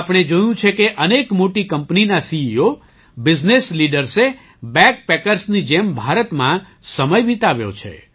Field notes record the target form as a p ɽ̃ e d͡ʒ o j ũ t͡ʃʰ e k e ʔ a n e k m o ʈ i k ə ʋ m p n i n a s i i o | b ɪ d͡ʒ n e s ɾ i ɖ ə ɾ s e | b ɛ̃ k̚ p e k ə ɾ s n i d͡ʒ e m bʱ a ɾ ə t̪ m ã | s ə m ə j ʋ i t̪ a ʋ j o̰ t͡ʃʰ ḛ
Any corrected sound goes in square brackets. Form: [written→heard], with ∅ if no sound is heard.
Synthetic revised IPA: a p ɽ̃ e d͡ʒ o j ũ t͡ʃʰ e k e ʔ [a→ə] n e k m o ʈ i k ə [ʋ→∅] m p n i n a s i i o | b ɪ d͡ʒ n e s [ɾ→l] i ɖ ə ɾ s e | b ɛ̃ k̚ p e k ə ɾ s n i d͡ʒ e m bʱ a ɾ ə t̪ m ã | s ə m ə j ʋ i t̪ a ʋ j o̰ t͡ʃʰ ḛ